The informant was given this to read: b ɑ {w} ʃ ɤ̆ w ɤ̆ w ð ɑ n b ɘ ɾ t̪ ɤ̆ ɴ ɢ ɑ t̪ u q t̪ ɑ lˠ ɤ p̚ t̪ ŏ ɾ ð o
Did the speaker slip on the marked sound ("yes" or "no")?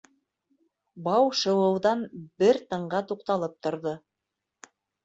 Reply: no